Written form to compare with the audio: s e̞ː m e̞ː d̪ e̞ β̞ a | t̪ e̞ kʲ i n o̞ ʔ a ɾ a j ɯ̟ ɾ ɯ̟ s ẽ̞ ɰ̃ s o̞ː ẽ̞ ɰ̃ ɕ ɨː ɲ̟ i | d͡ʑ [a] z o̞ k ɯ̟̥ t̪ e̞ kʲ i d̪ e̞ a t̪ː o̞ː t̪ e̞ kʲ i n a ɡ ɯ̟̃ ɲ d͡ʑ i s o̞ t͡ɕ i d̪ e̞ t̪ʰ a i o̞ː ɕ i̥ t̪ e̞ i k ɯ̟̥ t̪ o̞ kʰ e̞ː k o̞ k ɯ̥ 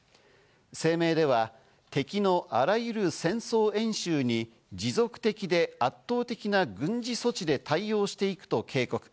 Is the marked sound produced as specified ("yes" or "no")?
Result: no